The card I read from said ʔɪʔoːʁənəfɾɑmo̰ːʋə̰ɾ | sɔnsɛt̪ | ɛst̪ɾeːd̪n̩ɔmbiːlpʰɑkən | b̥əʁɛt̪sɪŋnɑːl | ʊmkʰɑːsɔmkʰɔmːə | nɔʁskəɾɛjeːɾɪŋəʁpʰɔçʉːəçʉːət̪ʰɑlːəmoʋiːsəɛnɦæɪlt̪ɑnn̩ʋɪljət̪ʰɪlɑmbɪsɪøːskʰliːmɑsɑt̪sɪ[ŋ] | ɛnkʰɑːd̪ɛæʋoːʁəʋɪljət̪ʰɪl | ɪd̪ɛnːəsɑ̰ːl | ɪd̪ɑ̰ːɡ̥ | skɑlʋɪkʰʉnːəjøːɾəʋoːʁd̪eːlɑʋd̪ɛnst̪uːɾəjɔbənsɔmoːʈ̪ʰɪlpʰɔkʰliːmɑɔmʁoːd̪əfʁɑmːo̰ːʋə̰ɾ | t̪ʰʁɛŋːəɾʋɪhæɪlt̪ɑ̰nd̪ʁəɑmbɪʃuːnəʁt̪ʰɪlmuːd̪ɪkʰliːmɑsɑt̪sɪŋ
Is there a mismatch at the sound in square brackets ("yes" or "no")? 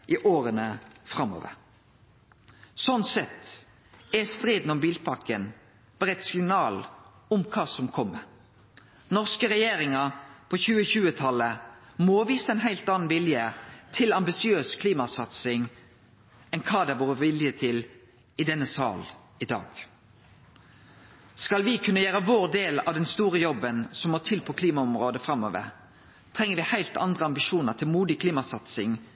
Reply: no